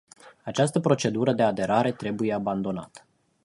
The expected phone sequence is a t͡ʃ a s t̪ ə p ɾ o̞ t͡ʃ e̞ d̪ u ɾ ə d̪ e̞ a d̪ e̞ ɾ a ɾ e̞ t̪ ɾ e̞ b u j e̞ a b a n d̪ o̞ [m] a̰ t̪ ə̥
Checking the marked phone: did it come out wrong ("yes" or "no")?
yes